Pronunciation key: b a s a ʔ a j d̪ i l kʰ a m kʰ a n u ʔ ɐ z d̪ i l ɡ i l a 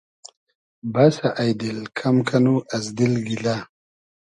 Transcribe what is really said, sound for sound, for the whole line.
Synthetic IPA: b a s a ʔ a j d̪ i l kʰ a m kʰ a n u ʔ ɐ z d̪ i l ɡ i l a